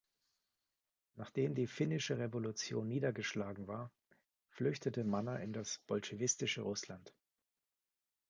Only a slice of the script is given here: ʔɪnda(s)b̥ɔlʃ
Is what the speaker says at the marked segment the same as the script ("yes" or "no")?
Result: yes